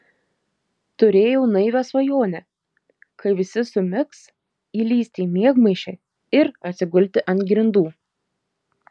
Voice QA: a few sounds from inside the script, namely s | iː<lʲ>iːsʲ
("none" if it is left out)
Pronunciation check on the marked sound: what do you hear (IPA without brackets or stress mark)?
lʲ